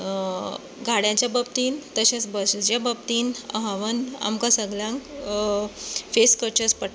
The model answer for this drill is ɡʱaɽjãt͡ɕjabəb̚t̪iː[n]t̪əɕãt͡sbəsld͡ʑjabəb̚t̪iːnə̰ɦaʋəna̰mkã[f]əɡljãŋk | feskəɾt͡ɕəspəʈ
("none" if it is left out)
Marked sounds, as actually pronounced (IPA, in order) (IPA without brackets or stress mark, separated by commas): n, s